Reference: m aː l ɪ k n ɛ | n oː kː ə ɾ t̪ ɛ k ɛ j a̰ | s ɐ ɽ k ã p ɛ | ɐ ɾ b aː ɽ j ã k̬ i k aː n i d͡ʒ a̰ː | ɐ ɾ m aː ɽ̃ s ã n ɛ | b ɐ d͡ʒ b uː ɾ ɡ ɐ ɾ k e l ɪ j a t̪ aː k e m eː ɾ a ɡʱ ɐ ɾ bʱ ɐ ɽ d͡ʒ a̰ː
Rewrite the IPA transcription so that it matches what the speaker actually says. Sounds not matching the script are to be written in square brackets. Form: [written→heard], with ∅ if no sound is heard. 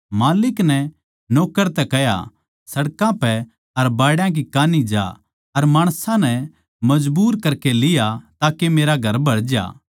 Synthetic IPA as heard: m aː l ɪ k n ɛ | n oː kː ə ɾ t̪ ɛ k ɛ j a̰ | s ɐ ɽ k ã p ɛ | ɐ ɾ b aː ɽ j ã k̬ i k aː n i d͡ʒ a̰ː | ɐ ɾ m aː ɽ̃ s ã n ɛ | [b→m] ɐ d͡ʒ b uː ɾ [ɡ→k] ɐ ɾ k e l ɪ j a t̪ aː k e m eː ɾ a ɡʱ ɐ ɾ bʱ ɐ ɽ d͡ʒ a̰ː